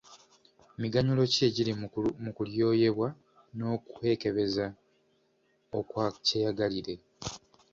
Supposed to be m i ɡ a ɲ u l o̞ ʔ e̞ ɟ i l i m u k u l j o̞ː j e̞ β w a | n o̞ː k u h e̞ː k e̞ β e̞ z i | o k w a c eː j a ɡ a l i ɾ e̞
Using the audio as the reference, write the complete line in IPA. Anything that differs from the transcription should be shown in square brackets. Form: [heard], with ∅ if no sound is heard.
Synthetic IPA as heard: m i ɡ a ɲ u l o̞ [c] e̞ ɟ i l i m u k u l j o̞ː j e̞ β w a | n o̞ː k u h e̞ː k e̞ β e̞ z [a] | o k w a c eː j a ɡ a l i ɾ e̞